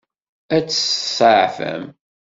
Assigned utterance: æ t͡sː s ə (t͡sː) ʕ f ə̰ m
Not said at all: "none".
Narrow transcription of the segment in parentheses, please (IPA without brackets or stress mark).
none